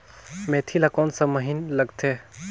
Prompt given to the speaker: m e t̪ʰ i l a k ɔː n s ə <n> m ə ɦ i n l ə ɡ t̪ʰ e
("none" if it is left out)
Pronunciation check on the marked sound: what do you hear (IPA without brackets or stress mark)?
none